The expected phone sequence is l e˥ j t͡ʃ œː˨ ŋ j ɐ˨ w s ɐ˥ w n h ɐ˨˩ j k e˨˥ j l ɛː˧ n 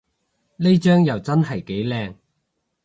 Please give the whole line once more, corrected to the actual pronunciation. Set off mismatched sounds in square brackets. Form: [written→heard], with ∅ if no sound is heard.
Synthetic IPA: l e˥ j t͡ʃ [œː˨→œː˥] ŋ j ɐ˨ w [s→t͡s] ɐ˥ [w→∅] n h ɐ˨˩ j k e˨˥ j l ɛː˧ [n→ŋ]